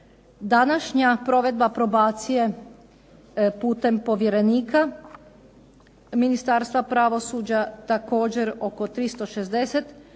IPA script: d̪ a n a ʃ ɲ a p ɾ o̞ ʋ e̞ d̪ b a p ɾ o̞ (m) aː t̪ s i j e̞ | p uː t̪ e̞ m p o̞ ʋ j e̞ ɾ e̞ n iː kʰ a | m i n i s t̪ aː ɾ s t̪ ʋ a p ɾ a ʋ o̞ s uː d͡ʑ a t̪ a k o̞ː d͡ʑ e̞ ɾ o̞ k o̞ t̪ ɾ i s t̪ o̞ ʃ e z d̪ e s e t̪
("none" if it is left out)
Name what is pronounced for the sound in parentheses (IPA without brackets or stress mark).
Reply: b